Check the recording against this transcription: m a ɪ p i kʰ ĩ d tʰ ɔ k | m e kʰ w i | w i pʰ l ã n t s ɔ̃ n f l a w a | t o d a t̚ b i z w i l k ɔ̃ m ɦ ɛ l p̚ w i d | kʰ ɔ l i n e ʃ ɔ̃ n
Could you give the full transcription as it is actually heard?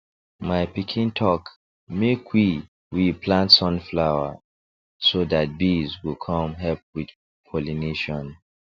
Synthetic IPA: m a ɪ p i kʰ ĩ n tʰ ɔ k | m e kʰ w i | w i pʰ l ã n t s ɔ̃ n f l a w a | s o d a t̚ b i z w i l kʰ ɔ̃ m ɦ ɛ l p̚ w i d | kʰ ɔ l i n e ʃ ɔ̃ n